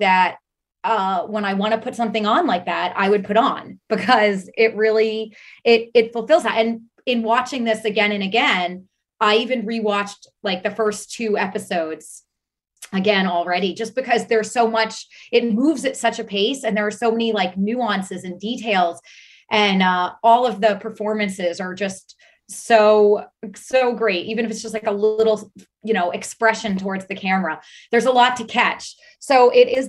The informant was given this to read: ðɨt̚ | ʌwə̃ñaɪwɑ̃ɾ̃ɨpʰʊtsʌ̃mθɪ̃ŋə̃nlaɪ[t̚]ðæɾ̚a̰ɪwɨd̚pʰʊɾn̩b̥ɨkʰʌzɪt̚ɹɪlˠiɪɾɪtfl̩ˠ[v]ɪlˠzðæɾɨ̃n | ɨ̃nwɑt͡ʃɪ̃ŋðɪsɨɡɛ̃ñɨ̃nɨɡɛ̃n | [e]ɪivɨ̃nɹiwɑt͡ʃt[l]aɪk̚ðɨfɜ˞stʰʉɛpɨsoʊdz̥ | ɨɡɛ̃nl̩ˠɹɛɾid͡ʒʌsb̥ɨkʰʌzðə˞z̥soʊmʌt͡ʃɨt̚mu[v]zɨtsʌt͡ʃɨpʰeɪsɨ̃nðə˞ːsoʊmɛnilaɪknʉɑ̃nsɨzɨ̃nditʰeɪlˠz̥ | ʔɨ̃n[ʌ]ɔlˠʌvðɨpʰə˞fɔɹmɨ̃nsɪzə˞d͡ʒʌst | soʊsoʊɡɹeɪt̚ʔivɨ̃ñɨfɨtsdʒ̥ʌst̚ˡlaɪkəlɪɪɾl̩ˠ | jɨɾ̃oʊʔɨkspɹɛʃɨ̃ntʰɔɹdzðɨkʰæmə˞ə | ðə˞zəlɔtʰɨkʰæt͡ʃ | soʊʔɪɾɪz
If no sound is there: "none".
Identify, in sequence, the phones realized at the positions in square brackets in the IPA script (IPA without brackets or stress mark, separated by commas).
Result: k̚, f, a, l, v, ʌ